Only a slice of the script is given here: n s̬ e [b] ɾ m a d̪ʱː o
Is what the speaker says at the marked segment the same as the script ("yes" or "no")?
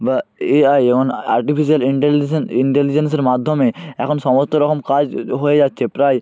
no